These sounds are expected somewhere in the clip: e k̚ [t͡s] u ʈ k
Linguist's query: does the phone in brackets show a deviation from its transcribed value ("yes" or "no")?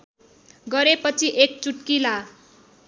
no